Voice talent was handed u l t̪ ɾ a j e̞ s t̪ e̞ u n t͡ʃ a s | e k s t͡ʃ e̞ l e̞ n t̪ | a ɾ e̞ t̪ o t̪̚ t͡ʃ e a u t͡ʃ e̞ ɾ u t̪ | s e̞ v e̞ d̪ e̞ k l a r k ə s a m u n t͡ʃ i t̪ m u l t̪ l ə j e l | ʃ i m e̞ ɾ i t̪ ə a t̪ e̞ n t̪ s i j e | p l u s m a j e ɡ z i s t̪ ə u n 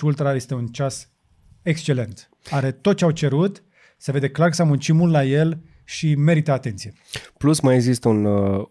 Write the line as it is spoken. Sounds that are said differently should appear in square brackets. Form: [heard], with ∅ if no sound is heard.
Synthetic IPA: u l t̪ ɾ a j e̞ s t̪ e̞ u n t͡ʃ a s | e k s t͡ʃ e̞ l e̞ n t̪ | a ɾ e̞ t̪ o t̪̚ t͡ʃ e a [w] t͡ʃ e̞ ɾ u t̪ | s e̞ v e̞ d̪ e̞ k l a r k ə s a m u n t͡ʃ i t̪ m u l t̪ l [a] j e l | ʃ i m e̞ ɾ i t̪ ə a t̪ e̞ n t̪ s i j e | p l u s m a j e ɡ z i s t̪ ə u n